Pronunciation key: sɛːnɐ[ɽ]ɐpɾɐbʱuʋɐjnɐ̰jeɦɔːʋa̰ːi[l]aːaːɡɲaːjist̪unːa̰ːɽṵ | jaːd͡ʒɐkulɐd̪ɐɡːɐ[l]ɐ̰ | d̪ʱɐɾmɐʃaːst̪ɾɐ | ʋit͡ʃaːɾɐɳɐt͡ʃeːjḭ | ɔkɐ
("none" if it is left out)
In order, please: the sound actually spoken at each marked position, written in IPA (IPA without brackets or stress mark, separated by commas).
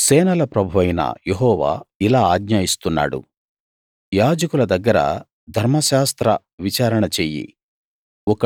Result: l, l, ɾ